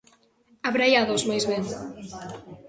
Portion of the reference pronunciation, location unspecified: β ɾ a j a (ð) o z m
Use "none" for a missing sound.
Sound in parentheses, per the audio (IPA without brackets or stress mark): ð